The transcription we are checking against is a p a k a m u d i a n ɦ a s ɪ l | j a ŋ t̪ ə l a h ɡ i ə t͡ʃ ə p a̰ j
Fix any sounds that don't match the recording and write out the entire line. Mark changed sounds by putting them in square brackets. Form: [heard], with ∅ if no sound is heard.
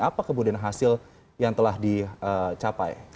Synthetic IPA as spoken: a p a k [ə] m u d i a n ɦ a s ɪ l | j a ŋ t̪ ə l a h [d] i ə t͡ʃ [a] p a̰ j